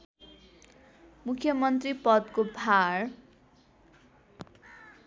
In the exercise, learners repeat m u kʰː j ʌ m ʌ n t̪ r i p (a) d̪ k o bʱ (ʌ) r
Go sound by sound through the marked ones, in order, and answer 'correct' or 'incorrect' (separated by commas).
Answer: incorrect, incorrect